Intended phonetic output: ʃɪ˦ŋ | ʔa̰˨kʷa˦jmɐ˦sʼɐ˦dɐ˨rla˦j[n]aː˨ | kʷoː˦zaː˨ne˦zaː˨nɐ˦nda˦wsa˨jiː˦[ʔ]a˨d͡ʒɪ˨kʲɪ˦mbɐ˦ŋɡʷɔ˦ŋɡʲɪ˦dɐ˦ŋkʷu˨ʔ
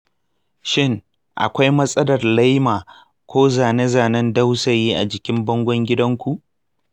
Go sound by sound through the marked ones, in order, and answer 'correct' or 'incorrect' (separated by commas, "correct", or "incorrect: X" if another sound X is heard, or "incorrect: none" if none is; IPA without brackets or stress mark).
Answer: incorrect: m, correct